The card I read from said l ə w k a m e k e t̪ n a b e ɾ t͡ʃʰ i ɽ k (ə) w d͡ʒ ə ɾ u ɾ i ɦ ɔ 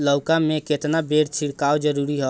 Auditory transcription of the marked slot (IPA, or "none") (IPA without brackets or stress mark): a